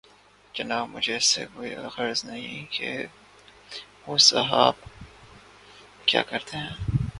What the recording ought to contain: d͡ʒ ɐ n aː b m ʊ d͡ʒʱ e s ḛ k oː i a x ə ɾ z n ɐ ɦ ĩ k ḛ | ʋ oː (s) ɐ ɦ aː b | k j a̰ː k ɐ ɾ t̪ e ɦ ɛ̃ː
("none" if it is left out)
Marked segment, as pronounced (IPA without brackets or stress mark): s